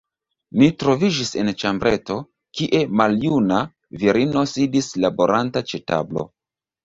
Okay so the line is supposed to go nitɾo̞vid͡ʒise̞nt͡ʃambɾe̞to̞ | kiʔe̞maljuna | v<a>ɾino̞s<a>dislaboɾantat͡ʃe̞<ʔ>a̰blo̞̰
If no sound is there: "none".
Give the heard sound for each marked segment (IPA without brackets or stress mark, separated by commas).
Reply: i, i, t